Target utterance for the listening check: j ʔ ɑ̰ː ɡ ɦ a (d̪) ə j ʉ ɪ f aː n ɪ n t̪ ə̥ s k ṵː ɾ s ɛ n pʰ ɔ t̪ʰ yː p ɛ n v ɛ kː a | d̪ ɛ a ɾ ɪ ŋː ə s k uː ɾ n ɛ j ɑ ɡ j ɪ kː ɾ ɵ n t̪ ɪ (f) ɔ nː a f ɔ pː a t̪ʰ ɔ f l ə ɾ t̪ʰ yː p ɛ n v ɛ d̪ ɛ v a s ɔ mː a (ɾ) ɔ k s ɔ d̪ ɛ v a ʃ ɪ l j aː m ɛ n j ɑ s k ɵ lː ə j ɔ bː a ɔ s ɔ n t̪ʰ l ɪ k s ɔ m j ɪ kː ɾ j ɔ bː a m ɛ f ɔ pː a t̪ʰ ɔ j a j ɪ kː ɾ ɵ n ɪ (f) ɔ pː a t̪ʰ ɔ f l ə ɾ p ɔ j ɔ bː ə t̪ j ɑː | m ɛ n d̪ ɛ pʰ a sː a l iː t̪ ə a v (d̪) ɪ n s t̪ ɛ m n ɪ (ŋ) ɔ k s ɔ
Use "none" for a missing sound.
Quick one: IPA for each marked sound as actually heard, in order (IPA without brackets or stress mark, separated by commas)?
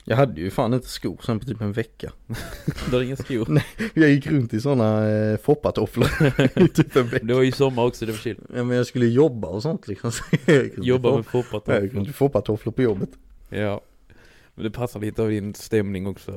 d̪ː, s, ɾ, f, d̪, ŋ